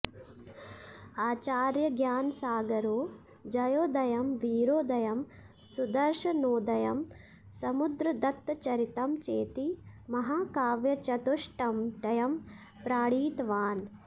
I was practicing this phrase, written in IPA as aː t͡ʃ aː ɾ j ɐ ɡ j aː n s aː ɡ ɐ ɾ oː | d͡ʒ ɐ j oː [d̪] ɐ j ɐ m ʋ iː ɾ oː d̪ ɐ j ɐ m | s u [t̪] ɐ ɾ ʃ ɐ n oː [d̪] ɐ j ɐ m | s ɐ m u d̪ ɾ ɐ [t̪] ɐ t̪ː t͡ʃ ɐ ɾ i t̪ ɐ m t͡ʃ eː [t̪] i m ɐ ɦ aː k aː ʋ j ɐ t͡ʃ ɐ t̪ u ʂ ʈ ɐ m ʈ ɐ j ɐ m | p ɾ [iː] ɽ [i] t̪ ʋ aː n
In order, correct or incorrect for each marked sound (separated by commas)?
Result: correct, incorrect, correct, incorrect, correct, incorrect, incorrect